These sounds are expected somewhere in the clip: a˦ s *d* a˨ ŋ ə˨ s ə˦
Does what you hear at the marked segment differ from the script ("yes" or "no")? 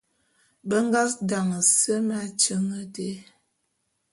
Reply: no